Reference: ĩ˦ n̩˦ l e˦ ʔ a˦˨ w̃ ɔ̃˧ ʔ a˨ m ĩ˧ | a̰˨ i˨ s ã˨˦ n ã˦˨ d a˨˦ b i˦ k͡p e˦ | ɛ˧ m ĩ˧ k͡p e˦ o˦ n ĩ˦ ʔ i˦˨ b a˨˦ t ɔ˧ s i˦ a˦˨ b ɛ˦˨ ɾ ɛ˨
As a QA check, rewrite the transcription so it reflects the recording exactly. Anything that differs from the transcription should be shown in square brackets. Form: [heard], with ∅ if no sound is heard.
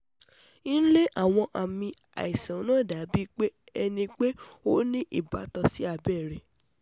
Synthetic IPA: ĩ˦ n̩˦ l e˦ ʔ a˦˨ w̃ ɔ̃˧ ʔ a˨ m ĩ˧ | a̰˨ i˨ s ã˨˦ n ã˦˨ d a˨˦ b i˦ k͡p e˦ | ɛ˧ [n] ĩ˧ k͡p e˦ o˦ n ĩ˦ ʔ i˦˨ b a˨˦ t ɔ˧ s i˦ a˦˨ b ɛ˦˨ ɾ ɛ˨